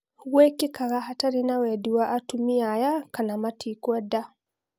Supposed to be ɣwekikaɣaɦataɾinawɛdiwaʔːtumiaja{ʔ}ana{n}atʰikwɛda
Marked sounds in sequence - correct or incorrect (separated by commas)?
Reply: incorrect, incorrect